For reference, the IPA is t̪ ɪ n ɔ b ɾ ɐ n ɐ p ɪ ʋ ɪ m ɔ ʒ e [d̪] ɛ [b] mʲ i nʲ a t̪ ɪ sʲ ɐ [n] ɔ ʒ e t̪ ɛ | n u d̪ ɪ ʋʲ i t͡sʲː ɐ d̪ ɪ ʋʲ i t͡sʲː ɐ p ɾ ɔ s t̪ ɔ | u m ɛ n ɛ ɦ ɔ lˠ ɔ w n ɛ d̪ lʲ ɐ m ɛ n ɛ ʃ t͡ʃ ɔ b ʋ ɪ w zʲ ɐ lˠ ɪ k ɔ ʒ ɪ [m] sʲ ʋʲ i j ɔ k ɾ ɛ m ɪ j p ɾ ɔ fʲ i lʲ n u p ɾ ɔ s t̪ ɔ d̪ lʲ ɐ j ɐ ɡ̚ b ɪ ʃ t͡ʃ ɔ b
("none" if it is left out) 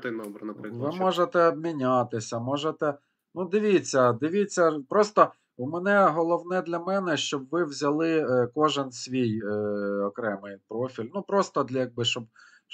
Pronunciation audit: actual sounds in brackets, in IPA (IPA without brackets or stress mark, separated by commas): t̪, b, m, n